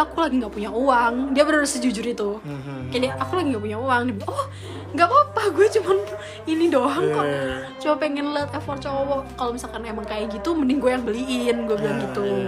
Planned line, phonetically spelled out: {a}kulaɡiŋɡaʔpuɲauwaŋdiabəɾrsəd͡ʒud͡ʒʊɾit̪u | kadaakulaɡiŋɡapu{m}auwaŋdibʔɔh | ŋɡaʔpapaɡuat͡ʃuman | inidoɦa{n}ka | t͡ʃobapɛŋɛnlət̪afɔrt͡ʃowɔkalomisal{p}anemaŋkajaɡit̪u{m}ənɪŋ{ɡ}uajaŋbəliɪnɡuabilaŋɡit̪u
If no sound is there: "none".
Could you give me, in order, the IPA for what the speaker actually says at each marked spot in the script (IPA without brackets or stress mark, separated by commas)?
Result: a, ɲ, ŋ, k, m, ɡ